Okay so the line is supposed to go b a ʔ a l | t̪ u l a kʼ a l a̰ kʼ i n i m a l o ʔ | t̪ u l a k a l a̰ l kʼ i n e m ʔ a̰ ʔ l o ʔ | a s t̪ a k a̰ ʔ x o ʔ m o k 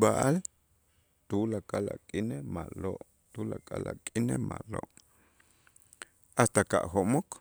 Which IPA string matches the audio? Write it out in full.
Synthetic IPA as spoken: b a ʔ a l | t̪ u l a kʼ a l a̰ kʼ i n e m a l o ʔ | t̪ u l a kʼ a l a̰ kʼ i n e m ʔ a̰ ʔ l o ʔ | a s t̪ a k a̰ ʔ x o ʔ m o k